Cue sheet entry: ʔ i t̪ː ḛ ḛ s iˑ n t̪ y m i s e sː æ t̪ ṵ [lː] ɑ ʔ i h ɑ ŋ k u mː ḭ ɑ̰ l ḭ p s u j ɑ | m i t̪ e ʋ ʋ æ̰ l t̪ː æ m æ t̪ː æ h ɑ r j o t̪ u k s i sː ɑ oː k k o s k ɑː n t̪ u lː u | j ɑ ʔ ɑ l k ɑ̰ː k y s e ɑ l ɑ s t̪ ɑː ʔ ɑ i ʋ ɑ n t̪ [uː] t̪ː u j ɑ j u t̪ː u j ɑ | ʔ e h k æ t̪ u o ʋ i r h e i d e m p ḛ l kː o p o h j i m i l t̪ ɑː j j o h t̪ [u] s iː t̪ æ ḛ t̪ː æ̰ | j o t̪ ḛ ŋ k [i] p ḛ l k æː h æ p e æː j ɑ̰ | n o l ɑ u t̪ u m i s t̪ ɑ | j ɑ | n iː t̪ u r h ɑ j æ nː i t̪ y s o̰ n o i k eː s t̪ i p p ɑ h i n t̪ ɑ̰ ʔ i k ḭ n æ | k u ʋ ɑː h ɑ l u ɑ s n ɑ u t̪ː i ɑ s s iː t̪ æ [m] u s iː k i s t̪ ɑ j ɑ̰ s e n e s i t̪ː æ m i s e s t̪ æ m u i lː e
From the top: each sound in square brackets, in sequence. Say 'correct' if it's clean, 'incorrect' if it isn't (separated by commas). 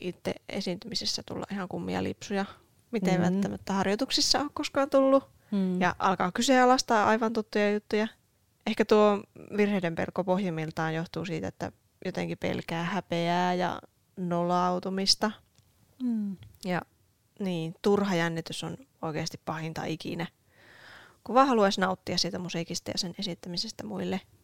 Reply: correct, incorrect, incorrect, correct, correct